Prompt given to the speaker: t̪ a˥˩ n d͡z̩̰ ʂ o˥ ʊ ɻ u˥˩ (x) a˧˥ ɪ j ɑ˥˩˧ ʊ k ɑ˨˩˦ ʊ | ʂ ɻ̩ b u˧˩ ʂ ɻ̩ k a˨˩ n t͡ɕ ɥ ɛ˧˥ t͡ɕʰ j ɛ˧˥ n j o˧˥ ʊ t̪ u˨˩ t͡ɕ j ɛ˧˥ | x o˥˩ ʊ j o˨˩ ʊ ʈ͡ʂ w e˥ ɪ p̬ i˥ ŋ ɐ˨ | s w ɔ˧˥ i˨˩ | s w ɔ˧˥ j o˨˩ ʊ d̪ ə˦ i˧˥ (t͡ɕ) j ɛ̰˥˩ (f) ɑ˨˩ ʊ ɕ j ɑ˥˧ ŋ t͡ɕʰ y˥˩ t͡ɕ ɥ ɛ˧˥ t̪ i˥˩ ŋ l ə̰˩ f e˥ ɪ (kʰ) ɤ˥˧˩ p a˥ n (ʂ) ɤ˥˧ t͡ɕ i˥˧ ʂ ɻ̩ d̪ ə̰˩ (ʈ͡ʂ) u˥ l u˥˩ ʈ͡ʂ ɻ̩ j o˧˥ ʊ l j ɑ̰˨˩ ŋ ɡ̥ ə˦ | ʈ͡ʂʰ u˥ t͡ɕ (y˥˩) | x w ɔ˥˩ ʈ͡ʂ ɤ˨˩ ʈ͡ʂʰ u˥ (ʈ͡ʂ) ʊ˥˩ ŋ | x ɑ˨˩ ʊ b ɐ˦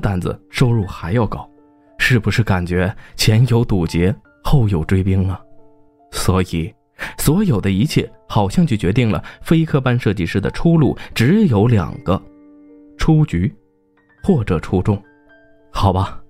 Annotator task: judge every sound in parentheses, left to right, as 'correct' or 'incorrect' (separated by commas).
correct, incorrect, incorrect, correct, correct, incorrect, incorrect, correct